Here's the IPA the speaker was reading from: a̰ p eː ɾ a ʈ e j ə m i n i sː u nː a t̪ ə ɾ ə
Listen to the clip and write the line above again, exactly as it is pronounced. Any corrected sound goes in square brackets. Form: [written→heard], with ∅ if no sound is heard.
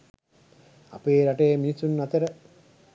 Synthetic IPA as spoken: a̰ p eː ɾ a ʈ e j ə m i n i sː u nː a t̪ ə ɾ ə